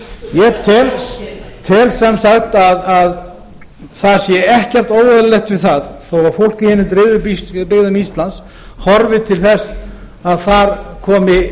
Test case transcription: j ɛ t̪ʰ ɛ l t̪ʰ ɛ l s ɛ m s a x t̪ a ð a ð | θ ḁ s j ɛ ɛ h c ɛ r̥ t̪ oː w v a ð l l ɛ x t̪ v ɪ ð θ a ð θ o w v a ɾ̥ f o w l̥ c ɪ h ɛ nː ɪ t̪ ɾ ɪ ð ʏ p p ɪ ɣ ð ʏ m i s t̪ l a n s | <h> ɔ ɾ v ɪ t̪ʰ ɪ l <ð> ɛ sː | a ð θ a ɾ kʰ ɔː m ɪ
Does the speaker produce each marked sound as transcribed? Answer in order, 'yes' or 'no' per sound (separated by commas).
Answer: yes, no